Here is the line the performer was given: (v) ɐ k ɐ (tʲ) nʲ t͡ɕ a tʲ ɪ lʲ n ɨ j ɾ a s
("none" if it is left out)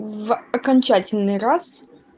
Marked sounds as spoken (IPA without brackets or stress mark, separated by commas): v, none